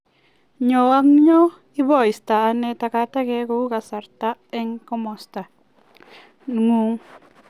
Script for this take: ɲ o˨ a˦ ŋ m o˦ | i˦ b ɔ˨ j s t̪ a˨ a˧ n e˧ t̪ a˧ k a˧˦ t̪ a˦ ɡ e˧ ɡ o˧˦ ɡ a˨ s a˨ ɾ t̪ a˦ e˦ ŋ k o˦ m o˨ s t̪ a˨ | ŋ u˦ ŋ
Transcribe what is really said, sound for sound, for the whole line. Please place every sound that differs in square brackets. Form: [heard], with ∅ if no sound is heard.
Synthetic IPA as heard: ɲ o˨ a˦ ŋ [ɲ] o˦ | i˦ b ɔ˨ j s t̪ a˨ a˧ n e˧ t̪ a˧ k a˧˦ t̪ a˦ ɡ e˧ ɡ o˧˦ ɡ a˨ s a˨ ɾ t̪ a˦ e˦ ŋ k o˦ m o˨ s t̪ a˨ | ŋ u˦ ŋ